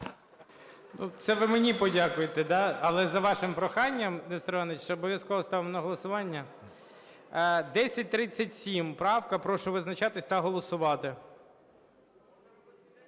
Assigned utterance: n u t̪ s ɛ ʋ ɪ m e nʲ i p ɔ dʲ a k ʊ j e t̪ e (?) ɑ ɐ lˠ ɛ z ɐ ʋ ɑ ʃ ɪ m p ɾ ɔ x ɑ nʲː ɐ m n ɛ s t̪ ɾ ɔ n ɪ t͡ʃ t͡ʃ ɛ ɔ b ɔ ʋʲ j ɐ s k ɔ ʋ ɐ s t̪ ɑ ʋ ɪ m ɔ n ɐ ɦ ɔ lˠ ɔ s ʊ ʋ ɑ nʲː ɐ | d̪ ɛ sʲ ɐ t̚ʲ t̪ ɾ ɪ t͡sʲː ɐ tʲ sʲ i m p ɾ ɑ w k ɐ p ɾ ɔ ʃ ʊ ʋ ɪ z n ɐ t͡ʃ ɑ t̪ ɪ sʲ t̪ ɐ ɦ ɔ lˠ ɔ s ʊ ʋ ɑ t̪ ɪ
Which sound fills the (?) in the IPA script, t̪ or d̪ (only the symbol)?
d̪